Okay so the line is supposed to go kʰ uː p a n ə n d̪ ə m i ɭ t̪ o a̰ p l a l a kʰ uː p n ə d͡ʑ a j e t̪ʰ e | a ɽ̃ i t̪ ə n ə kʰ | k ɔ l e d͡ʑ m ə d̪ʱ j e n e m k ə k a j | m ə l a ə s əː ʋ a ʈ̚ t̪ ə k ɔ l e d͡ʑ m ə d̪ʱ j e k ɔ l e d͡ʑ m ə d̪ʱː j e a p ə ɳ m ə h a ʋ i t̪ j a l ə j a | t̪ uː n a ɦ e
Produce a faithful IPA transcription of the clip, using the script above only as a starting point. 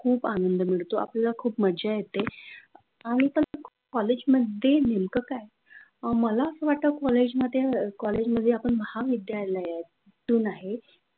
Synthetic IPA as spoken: kʰ uː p a n ə n d̪ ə m i ɭ t̪ o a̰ p l a l a kʰ uː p m ə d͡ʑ a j e t̪ e | a ɽ̃ i t̪ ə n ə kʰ | k ɔ l e d͡ʑ m ə d̪ʱ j e n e m k ə k a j | m ə l a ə s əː ʋ a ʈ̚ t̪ ə k ɔ l e d͡ʑ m ə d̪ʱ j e k ɔ l e d͡ʑ m ə d̪ʱː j e a p ə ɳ m ə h a ʋ i d̪ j a l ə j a | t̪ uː n a ɦ e